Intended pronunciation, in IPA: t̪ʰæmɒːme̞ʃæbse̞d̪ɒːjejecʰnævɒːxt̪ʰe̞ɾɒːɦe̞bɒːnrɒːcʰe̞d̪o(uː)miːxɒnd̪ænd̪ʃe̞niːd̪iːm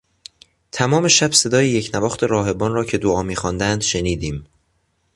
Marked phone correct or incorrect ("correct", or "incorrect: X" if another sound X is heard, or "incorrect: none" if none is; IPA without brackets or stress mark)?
incorrect: ɒː